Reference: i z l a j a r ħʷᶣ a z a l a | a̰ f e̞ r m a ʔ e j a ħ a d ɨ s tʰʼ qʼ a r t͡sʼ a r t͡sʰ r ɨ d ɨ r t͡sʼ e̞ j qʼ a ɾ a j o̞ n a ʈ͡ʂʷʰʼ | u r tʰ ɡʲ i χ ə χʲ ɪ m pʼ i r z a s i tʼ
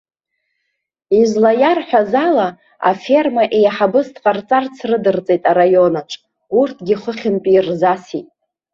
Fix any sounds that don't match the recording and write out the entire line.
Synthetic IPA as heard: i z l a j a r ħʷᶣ a z a l a | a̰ f e̞ r m a ʔ e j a ħ a b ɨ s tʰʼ qʼ a r t͡sʼ a r t͡sʰ r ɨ d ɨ r t͡sʼ e̞ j tʼ a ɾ a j o̞ n a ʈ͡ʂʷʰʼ | u r tʰ ɡʲ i χ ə χʲ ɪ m pʼ i r z a s i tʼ